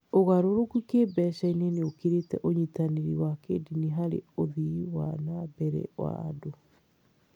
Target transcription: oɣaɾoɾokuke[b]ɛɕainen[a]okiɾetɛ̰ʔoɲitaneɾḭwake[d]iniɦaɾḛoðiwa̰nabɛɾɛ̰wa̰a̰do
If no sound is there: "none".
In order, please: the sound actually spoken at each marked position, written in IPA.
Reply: b, e, d

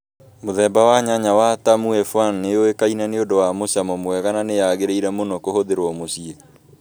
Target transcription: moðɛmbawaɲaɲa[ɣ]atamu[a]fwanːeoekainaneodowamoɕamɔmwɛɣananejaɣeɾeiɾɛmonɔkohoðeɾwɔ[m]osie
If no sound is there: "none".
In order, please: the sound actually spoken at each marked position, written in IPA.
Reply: w, ɛ, m

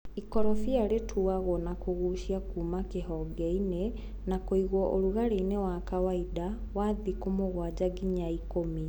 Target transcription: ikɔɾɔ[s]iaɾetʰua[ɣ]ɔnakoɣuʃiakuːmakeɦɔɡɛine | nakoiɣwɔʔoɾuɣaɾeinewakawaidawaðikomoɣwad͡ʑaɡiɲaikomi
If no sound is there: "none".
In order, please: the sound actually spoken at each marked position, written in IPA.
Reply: f, ɣ

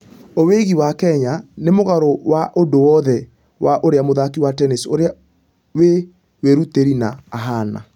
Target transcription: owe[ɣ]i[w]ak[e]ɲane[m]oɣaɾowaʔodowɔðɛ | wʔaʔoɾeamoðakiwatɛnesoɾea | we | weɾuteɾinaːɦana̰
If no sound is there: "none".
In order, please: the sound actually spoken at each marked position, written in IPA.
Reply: ɣ, w, ɛ, m

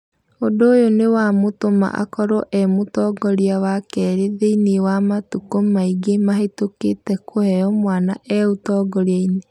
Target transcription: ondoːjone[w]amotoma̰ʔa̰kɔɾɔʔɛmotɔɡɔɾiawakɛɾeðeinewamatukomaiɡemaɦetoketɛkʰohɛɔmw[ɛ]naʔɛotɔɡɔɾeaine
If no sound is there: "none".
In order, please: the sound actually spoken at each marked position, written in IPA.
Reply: w, a

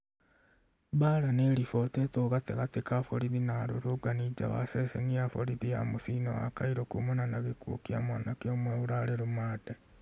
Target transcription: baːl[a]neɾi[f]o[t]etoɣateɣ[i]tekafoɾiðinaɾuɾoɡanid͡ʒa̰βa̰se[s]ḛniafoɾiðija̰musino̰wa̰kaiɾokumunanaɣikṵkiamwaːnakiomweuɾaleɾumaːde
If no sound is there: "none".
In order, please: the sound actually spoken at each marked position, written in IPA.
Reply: a, f, t, a, s

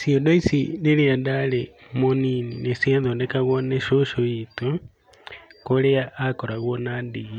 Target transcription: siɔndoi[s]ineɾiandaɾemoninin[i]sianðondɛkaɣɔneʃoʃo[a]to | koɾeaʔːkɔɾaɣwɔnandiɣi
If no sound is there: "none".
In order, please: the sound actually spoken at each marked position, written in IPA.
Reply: s, e, i

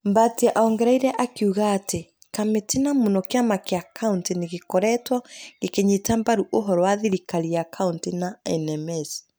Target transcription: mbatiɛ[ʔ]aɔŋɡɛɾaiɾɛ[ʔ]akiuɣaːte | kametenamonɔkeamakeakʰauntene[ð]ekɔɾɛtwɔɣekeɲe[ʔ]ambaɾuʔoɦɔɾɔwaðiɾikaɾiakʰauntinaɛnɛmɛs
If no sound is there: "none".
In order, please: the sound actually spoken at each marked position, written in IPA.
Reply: ʔ, ʔ, ɣ, t

